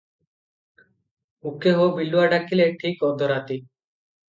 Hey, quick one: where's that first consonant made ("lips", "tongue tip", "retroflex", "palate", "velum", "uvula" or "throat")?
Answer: velum